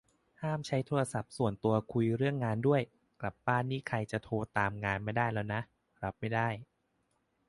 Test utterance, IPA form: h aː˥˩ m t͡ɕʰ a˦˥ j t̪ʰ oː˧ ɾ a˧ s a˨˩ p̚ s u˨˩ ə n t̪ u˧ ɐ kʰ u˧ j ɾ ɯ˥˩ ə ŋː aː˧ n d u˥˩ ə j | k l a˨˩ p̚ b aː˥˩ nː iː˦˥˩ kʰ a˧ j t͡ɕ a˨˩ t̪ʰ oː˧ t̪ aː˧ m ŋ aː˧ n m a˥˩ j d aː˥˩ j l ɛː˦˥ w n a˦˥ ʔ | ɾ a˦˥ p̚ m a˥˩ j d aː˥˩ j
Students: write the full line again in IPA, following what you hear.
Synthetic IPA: h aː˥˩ m t͡ɕʰ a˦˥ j t̪ʰ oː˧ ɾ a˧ s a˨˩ p̚ s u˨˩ ə n t̪ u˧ ɐ kʰ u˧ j ɾ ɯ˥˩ ə ŋː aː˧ n d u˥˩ ə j | k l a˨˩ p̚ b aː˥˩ nː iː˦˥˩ kʰ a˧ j t͡ɕ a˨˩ t̪ʰ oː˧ t̪ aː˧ m ŋ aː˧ n m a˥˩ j d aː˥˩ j l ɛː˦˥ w n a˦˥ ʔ | ɾ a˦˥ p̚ m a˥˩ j d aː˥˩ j